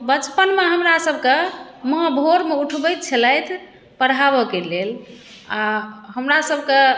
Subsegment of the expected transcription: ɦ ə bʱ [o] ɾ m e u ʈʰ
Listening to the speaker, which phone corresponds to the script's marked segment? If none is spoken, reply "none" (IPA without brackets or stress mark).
o